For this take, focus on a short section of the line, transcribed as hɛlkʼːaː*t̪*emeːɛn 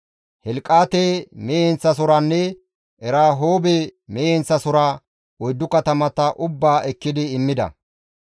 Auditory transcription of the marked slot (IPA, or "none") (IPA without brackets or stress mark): t̪